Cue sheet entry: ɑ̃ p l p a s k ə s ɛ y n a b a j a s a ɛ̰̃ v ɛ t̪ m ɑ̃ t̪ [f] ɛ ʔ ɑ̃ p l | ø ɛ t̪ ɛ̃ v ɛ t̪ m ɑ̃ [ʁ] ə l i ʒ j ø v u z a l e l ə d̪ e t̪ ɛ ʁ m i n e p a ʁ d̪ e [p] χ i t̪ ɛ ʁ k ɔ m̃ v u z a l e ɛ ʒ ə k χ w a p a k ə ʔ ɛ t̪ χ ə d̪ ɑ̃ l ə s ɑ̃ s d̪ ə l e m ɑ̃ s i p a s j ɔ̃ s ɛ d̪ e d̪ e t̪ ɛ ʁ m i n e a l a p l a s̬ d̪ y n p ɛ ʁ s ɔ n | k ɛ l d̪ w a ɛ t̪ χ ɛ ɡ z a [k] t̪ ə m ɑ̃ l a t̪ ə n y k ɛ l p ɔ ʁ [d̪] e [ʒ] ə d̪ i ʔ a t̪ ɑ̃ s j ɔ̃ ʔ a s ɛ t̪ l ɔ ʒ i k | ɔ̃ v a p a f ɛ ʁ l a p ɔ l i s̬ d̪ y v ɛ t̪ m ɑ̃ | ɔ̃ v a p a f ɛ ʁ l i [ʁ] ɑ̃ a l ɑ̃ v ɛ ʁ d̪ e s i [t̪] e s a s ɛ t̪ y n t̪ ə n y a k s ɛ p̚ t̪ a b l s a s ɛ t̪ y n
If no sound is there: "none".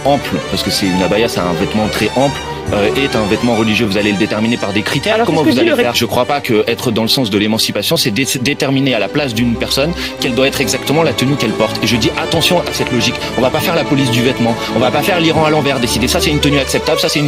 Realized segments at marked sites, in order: χ, ʁ, k, k, t̪, ʒ, ʁ, d̪

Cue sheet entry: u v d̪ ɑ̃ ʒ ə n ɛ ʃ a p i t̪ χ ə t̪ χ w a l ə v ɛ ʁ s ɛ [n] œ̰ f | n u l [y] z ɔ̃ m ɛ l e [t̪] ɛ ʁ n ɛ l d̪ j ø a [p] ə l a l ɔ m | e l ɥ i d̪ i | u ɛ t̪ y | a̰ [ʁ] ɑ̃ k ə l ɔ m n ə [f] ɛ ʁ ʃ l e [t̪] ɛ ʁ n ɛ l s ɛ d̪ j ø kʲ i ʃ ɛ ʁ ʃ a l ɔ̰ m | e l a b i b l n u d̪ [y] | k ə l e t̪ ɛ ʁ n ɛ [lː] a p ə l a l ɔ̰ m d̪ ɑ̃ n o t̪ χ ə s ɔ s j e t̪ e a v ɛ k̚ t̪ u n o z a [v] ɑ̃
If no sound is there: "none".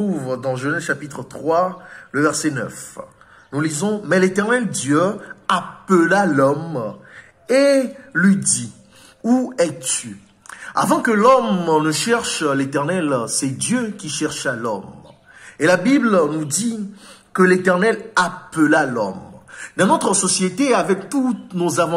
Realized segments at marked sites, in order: n, i, t̪, p, v, ʃ, t̪, i, l, v

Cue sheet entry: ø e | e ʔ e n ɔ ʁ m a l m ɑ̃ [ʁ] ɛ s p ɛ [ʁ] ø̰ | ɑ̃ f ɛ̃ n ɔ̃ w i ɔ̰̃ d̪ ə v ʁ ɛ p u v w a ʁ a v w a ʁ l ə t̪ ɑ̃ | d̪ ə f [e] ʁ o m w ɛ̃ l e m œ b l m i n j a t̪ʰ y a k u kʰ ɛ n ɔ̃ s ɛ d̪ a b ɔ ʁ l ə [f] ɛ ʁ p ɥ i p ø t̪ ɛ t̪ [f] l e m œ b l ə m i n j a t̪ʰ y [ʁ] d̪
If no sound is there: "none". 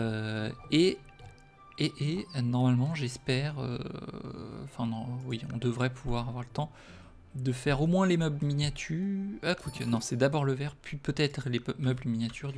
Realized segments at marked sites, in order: ʒ, ʁ, ɛ, v, χ, ʁ

